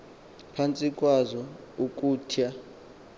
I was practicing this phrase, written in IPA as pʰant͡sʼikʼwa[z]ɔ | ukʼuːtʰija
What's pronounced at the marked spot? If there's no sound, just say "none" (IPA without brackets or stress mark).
z